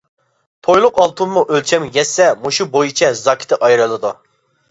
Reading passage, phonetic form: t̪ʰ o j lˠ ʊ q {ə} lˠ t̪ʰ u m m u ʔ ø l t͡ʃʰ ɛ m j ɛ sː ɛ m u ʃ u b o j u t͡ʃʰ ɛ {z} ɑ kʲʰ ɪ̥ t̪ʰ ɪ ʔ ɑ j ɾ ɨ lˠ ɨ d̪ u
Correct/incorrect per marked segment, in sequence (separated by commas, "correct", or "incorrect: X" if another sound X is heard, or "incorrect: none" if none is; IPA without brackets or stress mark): incorrect: ɑ, correct